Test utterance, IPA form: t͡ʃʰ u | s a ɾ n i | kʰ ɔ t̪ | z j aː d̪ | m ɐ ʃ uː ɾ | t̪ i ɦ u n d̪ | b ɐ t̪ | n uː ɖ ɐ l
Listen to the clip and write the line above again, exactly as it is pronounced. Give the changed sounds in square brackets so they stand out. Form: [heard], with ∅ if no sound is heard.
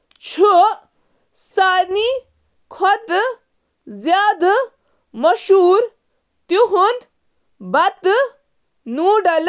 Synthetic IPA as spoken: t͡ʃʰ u | s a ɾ n i | kʰ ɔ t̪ | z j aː d̪ | m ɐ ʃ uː ɾ | t̪ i ɦ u n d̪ | b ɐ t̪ | n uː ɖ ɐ l